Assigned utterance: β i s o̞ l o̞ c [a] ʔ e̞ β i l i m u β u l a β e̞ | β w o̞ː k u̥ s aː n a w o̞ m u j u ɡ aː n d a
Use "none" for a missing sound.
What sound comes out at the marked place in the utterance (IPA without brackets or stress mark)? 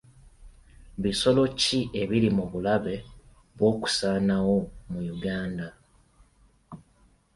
i